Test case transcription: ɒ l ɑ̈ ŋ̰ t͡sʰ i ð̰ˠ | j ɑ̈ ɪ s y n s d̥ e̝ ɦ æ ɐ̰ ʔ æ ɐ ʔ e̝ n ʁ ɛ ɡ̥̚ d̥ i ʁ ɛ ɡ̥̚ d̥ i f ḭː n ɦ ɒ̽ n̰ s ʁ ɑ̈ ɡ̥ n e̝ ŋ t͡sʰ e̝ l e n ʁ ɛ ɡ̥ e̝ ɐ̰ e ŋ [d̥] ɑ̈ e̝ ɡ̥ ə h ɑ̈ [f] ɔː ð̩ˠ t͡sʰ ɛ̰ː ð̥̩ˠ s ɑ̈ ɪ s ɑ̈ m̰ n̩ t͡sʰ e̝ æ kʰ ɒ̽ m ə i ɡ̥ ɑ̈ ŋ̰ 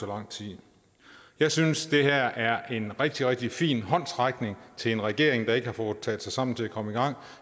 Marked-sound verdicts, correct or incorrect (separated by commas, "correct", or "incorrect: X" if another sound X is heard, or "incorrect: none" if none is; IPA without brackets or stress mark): correct, correct